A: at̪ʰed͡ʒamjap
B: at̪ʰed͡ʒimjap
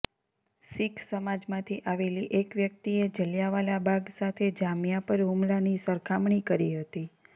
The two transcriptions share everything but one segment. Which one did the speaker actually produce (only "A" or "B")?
A